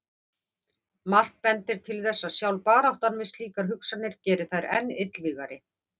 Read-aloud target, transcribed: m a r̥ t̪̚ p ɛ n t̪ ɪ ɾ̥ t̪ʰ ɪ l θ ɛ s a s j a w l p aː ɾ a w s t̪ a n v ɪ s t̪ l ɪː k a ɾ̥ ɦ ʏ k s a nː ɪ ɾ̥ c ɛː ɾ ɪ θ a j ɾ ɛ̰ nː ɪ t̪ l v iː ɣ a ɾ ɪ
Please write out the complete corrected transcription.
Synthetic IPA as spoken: m a r̥ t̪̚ p ɛ n t̪ ɪ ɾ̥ t̪ʰ ɪ l θ ɛ sː a s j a w l p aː ɾ a w h t̪ a n v ɪ s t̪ l iː k a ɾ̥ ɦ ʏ k s a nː ɪ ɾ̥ c ɛː ɾ ɪ θ a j ɾ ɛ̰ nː ɪ t̪ l v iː ɣ a ɾ ɪ